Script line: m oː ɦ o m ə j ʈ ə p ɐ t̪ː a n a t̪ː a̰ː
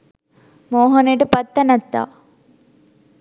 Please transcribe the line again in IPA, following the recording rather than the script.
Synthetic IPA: m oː ɦ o n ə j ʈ ə p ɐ t̪ː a n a t̪ː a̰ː